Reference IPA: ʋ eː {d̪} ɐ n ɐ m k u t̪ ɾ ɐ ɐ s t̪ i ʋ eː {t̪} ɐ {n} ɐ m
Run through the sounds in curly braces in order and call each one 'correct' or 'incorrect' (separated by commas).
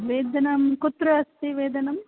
correct, incorrect, correct